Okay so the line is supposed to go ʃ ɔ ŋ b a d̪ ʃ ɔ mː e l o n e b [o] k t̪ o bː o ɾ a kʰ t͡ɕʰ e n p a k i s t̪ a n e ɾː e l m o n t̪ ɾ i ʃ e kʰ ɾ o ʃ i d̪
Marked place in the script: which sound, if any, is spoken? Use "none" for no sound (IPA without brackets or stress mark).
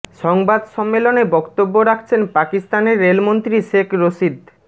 ɔ